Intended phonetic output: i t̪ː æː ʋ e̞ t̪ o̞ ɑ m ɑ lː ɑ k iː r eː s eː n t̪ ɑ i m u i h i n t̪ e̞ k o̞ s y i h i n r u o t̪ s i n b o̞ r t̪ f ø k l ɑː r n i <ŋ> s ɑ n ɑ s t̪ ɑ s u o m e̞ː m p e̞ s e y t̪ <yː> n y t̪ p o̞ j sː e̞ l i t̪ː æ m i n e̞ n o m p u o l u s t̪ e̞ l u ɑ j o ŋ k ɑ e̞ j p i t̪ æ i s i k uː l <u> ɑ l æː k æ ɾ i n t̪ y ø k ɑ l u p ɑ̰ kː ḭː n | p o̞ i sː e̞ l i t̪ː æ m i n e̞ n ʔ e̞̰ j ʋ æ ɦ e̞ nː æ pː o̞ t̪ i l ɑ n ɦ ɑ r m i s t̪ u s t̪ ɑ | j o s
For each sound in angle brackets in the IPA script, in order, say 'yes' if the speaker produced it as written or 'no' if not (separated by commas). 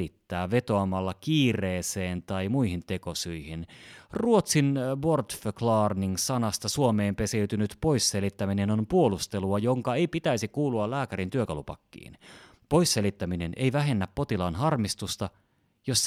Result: yes, no, yes